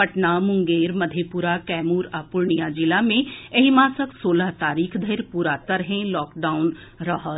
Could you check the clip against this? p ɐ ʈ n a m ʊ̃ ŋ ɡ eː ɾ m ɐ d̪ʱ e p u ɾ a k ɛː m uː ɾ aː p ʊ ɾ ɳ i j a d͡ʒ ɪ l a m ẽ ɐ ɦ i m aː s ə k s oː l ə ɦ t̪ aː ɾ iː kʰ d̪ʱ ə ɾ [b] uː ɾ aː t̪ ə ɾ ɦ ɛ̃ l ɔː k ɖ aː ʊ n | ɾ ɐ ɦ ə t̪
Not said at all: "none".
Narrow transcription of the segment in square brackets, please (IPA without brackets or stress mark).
p